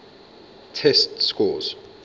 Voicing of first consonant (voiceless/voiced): voiceless